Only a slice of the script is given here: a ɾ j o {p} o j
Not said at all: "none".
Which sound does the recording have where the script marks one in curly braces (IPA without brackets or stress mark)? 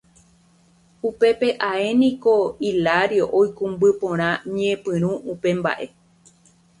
ʔ